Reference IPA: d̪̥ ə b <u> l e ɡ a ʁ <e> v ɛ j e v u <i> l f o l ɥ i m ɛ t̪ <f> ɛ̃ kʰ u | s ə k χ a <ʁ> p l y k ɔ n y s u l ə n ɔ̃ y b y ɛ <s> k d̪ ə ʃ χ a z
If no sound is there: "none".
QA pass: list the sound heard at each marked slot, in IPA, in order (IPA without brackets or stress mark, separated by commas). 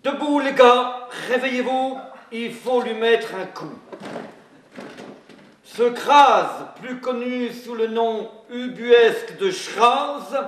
u, e, i, χ, z, s